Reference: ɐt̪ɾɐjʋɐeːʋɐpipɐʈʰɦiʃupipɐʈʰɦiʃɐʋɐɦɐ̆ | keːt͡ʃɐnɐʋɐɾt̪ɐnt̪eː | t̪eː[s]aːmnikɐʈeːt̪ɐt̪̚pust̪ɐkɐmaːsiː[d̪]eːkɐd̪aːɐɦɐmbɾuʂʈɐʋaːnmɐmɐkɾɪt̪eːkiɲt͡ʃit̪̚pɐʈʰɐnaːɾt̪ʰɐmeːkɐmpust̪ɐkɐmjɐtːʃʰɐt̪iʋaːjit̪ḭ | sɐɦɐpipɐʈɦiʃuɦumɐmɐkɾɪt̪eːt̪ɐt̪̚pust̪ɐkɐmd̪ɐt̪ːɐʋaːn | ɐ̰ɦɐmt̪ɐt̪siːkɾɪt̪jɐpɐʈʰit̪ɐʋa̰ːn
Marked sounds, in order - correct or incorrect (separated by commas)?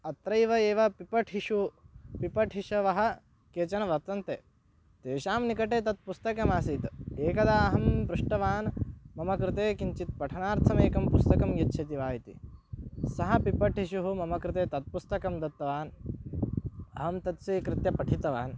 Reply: incorrect, incorrect